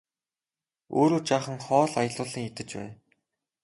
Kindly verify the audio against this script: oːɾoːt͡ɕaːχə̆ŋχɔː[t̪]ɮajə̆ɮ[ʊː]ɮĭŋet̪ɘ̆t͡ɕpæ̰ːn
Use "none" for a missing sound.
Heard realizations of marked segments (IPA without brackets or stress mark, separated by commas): none, ʊː